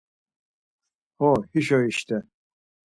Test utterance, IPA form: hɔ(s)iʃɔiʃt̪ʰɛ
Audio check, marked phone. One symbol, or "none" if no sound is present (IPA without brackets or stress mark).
h